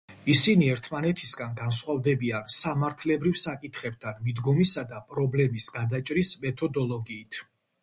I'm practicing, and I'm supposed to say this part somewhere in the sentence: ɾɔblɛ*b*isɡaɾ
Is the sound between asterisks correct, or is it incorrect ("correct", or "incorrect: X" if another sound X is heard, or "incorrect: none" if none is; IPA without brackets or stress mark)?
incorrect: m